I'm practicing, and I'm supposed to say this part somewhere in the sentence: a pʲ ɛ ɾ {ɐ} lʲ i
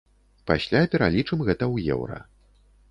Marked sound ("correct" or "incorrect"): incorrect